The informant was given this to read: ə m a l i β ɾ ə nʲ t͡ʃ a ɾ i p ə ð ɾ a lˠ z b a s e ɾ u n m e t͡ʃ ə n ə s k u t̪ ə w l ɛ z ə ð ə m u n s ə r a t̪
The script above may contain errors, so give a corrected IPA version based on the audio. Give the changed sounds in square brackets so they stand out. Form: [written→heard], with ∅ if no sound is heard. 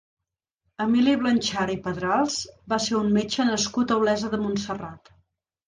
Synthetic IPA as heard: ə m [a→i] l i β [ɾ→l] ə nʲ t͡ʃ a ɾ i p ə ð ɾ a lˠ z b a s e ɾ u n m e t͡ʃ ə n ə s k u t̪ ə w l ɛ z ə ð ə m u n s ə r a t̪